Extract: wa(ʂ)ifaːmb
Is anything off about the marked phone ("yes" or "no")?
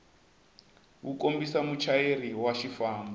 yes